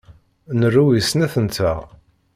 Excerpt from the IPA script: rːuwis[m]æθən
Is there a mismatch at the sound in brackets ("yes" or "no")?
yes